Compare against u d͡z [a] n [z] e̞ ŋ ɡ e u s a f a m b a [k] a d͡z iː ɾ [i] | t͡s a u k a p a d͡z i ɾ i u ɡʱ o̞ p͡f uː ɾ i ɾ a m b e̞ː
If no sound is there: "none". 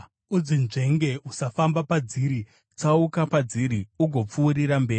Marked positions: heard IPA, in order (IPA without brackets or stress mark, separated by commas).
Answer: i, ʐ, p, i